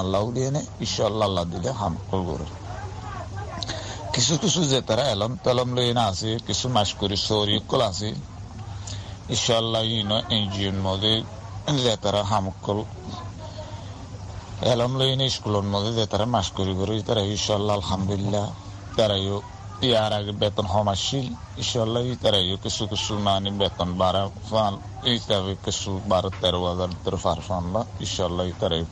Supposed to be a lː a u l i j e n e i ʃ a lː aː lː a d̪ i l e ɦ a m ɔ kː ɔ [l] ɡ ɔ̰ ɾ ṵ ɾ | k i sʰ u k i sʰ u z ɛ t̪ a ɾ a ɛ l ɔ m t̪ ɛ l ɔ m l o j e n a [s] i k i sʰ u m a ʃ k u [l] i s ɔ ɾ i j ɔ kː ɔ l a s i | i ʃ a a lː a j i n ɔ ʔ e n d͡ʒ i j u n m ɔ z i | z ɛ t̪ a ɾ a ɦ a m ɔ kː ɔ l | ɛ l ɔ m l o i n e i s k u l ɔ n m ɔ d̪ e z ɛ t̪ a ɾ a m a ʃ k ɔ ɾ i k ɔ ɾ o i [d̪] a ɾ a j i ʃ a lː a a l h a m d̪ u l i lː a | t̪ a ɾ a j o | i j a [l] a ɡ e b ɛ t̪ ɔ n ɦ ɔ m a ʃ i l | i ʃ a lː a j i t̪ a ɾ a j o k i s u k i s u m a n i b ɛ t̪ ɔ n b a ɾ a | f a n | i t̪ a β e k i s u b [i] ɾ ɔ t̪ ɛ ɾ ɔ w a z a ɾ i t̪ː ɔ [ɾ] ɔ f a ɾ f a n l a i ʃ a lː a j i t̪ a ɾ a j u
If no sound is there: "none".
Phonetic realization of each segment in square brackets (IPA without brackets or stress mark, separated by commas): l, s, ɾ, t̪, ɾ, a, ɾ